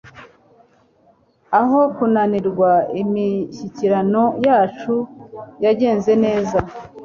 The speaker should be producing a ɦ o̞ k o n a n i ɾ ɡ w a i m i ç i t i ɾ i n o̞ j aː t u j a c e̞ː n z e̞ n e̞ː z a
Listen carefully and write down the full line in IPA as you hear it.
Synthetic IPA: a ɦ o̞ k u n a n i ɾ ɡ w a i m i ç i c i ɾ a n o̞ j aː t͡ʃ u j a ɟ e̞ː n z e̞ n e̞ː z a